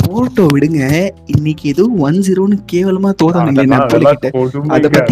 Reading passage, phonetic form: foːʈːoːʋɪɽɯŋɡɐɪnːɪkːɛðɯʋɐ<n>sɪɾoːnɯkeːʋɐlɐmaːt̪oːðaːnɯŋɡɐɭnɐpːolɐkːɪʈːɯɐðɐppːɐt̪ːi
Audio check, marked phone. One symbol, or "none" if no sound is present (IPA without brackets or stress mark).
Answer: n